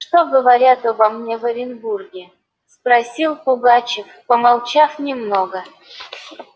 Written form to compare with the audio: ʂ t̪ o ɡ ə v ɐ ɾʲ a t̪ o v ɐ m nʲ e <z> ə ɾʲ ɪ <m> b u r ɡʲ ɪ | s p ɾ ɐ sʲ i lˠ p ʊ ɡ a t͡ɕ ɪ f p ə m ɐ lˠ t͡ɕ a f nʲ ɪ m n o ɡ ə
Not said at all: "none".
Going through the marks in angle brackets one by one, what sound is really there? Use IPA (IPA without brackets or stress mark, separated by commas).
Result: v, n